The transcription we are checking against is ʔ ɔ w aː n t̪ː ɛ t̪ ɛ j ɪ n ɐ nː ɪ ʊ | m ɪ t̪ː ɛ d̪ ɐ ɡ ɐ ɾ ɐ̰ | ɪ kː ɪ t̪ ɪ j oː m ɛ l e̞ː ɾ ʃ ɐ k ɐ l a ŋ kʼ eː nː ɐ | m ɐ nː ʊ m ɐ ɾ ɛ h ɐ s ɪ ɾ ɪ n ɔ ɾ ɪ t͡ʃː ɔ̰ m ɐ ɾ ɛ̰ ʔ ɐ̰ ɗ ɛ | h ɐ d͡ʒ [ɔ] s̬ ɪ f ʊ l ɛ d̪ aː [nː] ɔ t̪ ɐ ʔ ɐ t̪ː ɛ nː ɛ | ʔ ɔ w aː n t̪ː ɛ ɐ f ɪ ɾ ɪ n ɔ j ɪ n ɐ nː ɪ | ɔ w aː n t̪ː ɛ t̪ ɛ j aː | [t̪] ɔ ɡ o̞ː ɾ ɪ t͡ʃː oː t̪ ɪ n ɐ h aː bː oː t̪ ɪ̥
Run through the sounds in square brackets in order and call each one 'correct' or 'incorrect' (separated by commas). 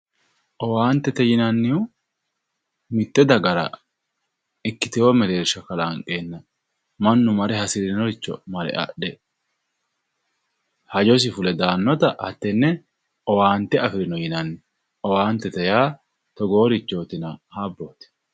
correct, correct, correct